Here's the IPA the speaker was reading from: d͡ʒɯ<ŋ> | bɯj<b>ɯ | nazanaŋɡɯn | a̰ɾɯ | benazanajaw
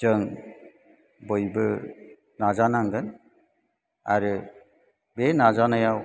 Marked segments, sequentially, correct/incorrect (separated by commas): correct, correct